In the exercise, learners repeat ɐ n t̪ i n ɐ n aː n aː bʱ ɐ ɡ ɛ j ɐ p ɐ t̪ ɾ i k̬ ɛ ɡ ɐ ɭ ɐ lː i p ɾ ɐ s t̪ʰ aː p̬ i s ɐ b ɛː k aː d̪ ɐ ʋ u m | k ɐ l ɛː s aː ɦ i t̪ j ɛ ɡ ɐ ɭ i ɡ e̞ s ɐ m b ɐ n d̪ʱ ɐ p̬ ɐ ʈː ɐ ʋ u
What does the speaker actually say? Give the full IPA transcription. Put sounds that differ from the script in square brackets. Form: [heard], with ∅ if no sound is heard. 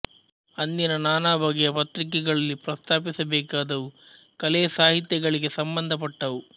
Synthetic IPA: ɐ n [d̪] i n ɐ n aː n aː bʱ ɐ ɡ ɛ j ɐ p ɐ t̪ ɾ i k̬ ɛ ɡ ɐ ɭ ɐ lː i p ɾ ɐ s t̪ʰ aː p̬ i s ɐ b ɛː k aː d̪ ɐ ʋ u [∅] | k ɐ l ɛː s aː ɦ i t̪ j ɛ ɡ ɐ ɭ i ɡ e̞ s ɐ m b ɐ n d̪ʱ ɐ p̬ ɐ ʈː ɐ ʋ u